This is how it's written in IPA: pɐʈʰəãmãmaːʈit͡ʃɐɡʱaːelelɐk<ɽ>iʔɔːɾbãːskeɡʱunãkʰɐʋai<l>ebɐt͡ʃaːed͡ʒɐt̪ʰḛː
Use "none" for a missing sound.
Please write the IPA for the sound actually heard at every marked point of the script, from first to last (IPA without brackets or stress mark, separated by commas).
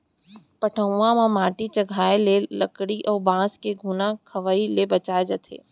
ɽ, l